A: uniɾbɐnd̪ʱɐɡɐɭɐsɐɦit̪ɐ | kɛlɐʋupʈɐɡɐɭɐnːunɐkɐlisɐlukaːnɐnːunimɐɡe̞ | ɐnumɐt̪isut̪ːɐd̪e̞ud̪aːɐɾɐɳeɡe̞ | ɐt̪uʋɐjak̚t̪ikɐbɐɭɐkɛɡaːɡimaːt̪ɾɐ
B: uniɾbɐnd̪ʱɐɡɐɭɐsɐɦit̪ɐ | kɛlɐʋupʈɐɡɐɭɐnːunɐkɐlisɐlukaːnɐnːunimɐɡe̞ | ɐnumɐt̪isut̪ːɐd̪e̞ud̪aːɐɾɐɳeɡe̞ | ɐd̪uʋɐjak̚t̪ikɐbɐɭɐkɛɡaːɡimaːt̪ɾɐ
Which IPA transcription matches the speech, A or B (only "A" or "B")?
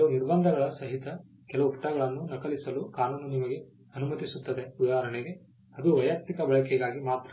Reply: B